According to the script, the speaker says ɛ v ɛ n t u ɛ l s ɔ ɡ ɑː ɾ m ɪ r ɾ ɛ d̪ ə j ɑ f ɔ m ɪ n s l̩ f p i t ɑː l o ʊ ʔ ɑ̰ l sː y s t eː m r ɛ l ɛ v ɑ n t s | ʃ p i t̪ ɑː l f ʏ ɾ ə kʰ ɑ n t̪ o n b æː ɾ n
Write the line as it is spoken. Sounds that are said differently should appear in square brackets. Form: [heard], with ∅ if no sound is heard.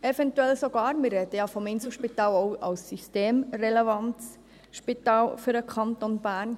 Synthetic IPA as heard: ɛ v ɛ n t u ɛ l s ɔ ɡ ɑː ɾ m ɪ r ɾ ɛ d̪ ə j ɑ f ɔ m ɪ n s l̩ [ʃ] p i t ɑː l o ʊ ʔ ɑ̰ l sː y s t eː m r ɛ l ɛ v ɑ n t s | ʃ p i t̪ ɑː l f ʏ ɾ ə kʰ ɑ n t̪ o n b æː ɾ n